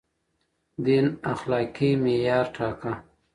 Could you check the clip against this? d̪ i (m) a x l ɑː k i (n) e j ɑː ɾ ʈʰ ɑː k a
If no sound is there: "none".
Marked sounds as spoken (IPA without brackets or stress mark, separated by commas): n, m